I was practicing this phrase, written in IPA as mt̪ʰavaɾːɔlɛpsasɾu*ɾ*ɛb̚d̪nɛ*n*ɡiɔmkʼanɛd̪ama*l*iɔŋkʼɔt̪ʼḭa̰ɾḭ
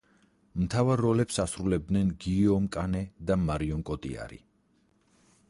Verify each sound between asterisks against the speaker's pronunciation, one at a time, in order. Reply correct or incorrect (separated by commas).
incorrect, correct, incorrect